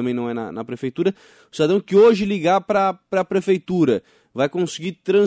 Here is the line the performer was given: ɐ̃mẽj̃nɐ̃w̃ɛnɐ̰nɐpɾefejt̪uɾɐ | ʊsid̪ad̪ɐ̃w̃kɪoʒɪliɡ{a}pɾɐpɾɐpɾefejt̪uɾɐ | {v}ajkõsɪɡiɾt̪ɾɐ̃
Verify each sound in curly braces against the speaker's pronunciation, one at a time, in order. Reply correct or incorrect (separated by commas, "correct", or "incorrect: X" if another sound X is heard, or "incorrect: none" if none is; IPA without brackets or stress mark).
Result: correct, correct